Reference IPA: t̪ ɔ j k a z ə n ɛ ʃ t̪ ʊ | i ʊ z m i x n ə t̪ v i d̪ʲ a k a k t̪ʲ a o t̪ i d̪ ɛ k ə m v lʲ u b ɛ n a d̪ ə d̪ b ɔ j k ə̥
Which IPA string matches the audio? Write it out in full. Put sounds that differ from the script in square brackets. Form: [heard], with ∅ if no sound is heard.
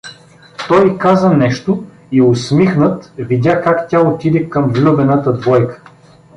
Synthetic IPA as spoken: t̪ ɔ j k a z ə n ɛ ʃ t̪ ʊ | i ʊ [s] m i x n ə t̪ v i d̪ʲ a k a k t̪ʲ a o t̪ i d̪ ɛ k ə m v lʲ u b ɛ n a [t̪] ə d̪ [v] ɔ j k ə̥

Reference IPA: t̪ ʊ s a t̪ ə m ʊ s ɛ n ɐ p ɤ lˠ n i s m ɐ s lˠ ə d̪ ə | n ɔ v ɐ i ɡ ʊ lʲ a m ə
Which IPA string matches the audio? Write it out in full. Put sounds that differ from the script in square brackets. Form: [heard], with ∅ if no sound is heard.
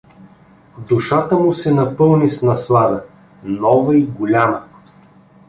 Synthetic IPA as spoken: [d̪] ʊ [ʃ] a t̪ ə m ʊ s ɛ n ɐ p ɤ lˠ n i s [n] ɐ s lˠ [a] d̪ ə | n ɔ v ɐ i ɡ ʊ lʲ a m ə

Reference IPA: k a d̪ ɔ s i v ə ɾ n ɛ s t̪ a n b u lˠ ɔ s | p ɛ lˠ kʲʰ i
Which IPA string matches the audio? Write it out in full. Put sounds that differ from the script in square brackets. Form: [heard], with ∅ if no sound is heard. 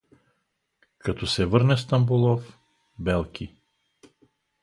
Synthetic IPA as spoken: k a [t̪] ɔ s [ɛ] v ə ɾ n ɛ s t̪ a [m] b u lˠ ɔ [f] | [b] ɛ lˠ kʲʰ i

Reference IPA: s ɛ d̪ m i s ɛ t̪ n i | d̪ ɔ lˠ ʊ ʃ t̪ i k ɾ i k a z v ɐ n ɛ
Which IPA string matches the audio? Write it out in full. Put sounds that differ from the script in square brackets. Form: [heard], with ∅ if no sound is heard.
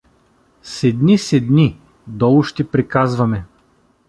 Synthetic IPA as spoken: s ɛ d̪ [n] i s ɛ [d̪] n i | d̪ ɔ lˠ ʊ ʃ t̪ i [p] ɾ i k a z v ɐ [m] ɛ

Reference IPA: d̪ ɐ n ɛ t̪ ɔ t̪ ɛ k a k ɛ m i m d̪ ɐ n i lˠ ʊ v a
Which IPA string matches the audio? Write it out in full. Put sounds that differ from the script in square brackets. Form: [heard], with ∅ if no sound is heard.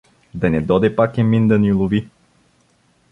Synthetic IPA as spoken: d̪ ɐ n ɛ [d̪] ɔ [d̪] ɛ [p] a k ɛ m i [n] d̪ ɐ n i lˠ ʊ v [i]

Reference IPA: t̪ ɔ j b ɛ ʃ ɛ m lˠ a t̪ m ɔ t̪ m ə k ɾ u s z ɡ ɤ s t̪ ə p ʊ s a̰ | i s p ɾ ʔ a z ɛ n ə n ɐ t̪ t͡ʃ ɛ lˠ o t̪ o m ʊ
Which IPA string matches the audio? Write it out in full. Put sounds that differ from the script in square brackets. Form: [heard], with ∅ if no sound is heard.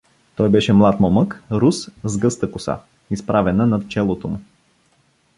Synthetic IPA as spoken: t̪ ɔ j b ɛ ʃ ɛ m lˠ a t̪ m ɔ [∅] m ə k ɾ u s z ɡ ɤ s t̪ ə [k] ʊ s a̰ | i s p ɾ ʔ a [v] ɛ n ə n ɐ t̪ t͡ʃ ɛ lˠ o t̪ o m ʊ

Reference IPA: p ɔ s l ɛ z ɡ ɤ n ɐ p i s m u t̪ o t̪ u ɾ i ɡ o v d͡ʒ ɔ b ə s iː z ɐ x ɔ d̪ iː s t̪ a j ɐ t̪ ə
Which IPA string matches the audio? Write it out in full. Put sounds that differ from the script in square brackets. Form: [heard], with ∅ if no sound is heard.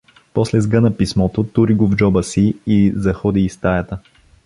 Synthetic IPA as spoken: p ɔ s l ɛ z ɡ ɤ n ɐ p i s m [ɔ] t̪ o t̪ u ɾ i ɡ o v d͡ʒ ɔ b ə s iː z ɐ x ɔ d̪ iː s t̪ a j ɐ t̪ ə

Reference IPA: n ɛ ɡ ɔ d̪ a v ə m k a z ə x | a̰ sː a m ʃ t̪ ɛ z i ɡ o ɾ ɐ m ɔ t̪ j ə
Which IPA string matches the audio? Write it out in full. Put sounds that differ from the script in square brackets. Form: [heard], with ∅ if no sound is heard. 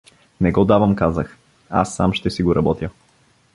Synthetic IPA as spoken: n ɛ ɡ ɔ d̪ a v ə m k a z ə x | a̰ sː a m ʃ t̪ ɛ [s] i ɡ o ɾ ɐ [b] ɔ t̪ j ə

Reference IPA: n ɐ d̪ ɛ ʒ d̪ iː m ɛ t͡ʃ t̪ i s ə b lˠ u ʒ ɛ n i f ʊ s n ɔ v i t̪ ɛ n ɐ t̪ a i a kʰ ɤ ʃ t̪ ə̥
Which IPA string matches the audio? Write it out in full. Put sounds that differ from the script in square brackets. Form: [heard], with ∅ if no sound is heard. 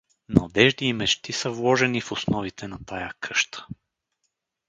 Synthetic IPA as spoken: n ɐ d̪ ɛ ʒ d̪ iː m ɛ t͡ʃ t̪ i s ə [v] lˠ [ɔ] ʒ ɛ n i f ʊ s n ɔ v i t̪ ɛ n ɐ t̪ a [j] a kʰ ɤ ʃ t̪ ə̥

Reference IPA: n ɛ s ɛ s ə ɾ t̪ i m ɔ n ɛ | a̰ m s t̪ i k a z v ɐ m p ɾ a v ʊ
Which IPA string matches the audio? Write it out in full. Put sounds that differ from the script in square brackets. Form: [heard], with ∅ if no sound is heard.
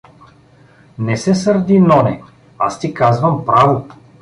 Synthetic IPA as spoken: n ɛ s ɛ s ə ɾ [d̪] i [n] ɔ n ɛ | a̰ [∅] s t̪ i k a z v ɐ m p ɾ a v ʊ

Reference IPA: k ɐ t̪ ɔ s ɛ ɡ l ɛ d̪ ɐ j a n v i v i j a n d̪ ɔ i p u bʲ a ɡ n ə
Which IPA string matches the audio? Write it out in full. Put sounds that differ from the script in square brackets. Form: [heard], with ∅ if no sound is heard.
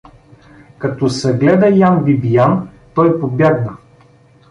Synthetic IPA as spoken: k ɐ t̪ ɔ s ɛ ɡ l ɛ d̪ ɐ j a n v i [b] i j a n [t̪] ɔ [j] p [o] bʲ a ɡ n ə

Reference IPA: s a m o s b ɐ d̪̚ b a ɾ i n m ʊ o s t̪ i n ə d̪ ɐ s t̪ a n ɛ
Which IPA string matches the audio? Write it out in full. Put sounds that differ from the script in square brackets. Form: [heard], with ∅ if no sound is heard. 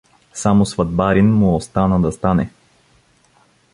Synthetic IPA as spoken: s a m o s [v] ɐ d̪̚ b a ɾ i n m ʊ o s t̪ [a] n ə d̪ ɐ s t̪ a n ɛ

